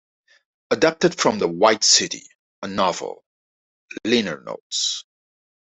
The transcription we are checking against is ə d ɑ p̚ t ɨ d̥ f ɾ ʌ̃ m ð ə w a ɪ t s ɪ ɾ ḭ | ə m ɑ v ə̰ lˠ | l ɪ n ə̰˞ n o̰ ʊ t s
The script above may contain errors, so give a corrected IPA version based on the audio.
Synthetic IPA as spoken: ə d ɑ p̚ t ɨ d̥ f ɹ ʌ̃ m ð ə w a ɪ t s ɪ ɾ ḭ | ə n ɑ v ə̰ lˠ | l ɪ n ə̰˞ n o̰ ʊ t s